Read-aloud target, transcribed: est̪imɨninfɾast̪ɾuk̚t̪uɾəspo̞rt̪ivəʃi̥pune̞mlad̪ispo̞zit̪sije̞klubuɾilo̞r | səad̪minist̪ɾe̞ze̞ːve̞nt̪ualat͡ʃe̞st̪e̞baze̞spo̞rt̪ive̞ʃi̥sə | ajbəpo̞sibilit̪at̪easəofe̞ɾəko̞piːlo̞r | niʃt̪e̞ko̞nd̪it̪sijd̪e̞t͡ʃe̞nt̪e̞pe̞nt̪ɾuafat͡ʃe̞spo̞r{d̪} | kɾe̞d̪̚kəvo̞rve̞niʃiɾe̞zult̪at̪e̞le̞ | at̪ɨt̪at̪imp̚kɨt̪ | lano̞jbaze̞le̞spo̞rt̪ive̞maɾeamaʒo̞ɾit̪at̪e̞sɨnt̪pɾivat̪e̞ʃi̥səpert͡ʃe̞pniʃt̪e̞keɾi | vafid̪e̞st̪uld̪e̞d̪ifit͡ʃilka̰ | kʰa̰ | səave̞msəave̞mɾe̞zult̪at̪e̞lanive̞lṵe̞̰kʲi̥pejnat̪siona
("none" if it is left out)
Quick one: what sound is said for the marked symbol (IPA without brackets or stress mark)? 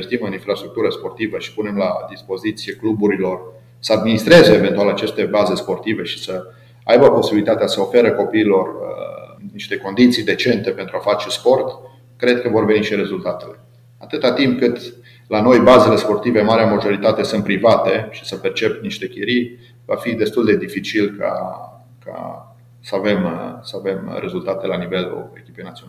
t̪